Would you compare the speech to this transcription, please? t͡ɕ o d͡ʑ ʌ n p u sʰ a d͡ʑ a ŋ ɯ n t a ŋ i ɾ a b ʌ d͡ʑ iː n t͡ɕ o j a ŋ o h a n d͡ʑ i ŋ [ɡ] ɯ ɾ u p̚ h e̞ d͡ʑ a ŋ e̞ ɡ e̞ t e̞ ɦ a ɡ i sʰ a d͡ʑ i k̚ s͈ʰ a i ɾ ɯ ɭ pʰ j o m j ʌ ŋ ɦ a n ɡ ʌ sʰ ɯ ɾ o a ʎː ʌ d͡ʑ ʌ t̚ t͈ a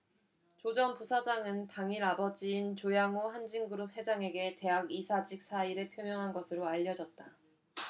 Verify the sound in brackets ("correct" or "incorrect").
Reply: correct